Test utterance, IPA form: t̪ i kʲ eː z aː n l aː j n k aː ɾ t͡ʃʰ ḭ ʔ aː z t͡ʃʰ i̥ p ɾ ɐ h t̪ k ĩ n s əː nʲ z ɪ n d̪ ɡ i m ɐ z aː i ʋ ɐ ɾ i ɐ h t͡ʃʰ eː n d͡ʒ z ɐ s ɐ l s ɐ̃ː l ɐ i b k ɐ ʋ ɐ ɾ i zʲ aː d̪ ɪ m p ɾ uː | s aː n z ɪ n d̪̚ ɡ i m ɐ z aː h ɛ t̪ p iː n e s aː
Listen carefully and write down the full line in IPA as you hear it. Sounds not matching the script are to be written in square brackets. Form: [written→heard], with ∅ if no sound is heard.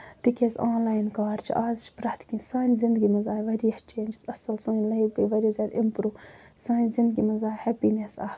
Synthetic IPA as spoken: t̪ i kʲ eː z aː n l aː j n k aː ɾ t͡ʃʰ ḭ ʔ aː z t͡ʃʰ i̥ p ɾ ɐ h t̪ k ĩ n s [əː→aː] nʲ z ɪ n d̪ ɡ i m ɐ z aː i ʋ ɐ ɾ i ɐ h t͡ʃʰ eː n d͡ʒ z ɐ s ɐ l s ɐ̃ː l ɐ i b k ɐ ʋ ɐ ɾ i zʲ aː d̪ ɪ m p ɾ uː | s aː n z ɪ n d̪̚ ɡ i m ɐ z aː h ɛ [t̪→∅] p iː n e s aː